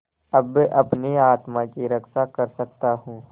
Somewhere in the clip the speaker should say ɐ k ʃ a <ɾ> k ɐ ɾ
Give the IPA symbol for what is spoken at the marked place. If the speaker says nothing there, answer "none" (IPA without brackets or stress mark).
none